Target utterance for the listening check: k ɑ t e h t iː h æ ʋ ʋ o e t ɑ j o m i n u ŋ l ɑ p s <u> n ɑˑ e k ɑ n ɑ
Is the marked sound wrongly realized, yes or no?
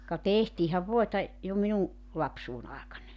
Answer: yes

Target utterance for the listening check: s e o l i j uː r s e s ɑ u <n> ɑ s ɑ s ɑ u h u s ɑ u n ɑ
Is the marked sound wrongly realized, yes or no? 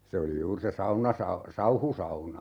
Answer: no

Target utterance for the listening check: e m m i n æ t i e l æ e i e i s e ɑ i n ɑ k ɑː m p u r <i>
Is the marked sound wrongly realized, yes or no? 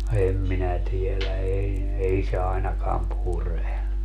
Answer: yes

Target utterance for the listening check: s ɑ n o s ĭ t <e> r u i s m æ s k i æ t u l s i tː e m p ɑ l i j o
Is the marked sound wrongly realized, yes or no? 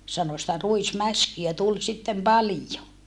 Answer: yes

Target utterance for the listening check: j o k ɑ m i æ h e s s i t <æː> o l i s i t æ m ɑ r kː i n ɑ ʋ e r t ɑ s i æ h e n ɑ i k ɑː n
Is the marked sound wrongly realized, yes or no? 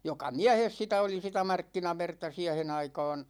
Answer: yes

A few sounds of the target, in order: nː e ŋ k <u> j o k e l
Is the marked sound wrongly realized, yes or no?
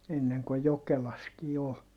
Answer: yes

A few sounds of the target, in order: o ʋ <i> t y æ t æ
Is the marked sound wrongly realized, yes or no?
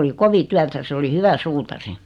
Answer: no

